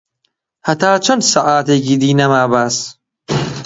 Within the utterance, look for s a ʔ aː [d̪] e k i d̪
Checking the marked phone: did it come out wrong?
yes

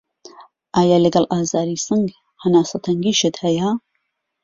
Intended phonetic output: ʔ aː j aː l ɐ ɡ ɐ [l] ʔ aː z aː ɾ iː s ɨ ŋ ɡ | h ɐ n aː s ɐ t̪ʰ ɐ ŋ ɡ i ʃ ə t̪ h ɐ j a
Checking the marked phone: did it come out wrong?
no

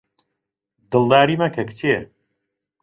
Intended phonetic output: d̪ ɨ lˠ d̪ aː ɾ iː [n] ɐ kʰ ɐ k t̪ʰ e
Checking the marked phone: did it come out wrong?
yes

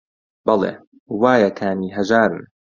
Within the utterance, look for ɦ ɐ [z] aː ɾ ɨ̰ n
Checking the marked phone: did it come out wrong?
yes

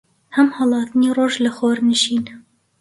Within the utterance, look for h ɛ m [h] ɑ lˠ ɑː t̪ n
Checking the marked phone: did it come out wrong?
no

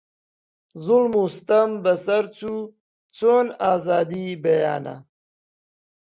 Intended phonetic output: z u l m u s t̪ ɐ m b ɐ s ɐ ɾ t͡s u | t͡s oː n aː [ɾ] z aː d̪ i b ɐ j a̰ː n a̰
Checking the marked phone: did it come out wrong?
yes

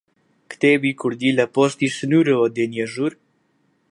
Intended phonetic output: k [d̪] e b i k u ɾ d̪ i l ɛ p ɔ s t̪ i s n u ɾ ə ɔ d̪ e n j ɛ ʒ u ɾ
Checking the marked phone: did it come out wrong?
yes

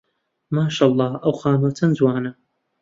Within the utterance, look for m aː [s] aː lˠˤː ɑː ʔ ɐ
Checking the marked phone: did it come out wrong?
yes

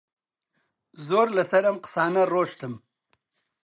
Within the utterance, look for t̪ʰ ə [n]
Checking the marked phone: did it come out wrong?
yes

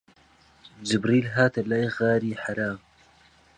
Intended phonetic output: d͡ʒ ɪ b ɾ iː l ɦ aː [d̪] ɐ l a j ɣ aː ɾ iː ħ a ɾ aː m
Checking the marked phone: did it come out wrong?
yes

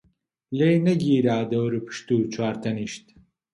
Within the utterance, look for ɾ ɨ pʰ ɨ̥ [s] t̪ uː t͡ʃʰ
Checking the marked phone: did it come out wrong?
yes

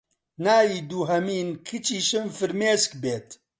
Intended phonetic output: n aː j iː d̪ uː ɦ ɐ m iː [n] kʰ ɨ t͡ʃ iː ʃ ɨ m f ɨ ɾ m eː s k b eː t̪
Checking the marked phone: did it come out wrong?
no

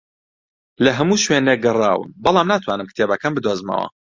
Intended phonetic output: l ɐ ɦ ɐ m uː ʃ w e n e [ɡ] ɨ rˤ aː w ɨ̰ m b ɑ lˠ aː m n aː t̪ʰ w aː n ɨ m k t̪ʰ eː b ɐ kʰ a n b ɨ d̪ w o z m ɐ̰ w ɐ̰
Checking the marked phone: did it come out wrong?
no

